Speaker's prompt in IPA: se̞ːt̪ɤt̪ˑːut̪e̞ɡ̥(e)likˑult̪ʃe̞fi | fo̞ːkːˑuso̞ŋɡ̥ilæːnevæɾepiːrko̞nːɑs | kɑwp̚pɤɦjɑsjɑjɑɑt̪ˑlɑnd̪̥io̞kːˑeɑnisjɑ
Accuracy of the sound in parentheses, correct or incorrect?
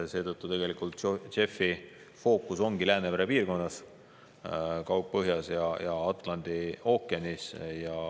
correct